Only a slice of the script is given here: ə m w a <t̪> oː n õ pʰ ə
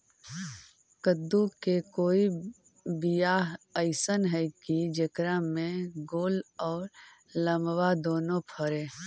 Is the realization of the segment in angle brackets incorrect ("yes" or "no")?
yes